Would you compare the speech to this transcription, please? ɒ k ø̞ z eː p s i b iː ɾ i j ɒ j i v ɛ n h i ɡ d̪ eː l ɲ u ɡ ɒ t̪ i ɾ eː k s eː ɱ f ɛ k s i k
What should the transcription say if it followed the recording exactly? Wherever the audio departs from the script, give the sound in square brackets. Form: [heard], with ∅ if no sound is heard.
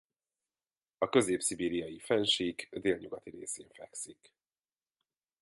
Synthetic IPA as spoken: ɒ k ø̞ z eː p s i b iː ɾ i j ɒ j i [f] ɛ n [ʃ] i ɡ d̪ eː l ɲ u ɡ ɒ t̪ i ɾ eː [∅] s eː ɱ f ɛ k s i k